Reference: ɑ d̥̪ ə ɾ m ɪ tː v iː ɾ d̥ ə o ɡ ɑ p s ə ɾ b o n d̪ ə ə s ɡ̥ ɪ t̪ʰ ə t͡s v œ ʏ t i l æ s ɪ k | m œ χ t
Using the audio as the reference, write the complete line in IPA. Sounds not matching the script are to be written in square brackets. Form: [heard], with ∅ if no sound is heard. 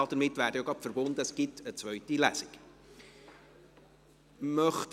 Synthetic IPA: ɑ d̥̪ ə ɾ m ɪ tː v [æː] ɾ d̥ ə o ɡ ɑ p [f] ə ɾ b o n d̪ ə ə s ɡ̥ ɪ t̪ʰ ə t͡s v œ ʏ t i l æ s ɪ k | m œ χ t